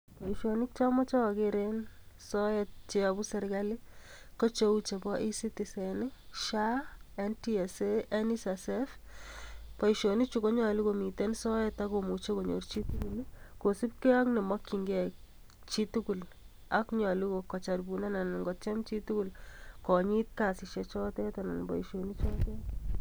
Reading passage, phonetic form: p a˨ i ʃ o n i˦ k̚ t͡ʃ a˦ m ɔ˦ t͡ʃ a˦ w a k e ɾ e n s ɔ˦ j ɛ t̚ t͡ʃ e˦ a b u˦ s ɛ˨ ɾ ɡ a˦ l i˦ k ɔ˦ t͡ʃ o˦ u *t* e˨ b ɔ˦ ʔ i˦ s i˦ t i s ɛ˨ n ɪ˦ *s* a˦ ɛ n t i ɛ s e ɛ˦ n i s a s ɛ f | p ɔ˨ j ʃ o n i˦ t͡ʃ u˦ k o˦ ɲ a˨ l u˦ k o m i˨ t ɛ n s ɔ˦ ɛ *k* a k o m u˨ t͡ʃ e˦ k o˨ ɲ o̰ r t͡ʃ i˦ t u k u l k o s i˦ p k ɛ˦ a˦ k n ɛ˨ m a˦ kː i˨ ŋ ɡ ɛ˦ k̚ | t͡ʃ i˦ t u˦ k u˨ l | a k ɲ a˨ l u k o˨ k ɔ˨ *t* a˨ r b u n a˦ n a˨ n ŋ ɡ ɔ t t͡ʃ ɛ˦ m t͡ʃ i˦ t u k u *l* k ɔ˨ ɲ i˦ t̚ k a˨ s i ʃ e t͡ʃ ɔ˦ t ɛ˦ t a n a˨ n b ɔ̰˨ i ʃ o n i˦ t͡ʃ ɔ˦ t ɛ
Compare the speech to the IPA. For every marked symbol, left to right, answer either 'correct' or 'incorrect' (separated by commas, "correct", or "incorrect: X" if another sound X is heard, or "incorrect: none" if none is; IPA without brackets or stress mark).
incorrect: t͡ʃ, incorrect: ʃ, incorrect: t, incorrect: t͡ʃ, correct